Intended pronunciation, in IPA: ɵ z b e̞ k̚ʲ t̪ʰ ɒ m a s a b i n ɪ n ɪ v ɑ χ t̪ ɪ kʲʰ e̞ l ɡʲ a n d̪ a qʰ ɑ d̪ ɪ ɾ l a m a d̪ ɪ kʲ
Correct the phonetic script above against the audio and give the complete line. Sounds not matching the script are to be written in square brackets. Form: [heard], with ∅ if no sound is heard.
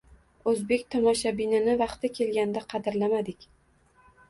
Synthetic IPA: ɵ z b e̞ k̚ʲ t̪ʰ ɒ m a [ʃ] a b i n ɪ n ɪ v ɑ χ t̪ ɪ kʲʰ e̞ l ɡʲ a n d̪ a qʰ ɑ d̪ ɪ ɾ l a m a d̪ ɪ kʲ